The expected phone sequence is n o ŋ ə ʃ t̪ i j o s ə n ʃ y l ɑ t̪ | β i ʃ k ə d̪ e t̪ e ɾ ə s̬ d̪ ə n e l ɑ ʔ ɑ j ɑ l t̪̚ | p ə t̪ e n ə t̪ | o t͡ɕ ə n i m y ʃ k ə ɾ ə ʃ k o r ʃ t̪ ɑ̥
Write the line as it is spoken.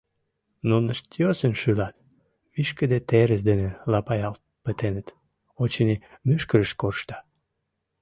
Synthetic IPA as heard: n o n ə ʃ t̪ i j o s ə n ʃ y l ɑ t̪ | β i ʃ k ə d̪ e t̪ e ɾ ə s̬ d̪ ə n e l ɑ p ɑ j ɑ l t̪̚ | p ə t̪ e n ə t̪ | o t͡ɕ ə n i m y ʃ k ə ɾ ə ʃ k o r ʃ t̪ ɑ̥